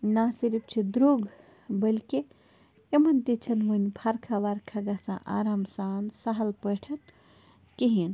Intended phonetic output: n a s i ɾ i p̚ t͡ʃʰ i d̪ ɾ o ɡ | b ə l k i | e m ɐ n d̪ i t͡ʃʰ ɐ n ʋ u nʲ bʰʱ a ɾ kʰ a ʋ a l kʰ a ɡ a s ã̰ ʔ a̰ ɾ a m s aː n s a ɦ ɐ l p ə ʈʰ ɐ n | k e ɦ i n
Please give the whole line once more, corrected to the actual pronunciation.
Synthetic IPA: n a s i ɾ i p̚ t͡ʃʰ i d̪ ɾ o ɡ | b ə l k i | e m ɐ n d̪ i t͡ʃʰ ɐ n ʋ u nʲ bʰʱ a ɾ kʰ a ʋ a ɾ kʰ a ɡ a s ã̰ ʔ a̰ ɾ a m s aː n s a ɦ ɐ l p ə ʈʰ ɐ n | k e ɦ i n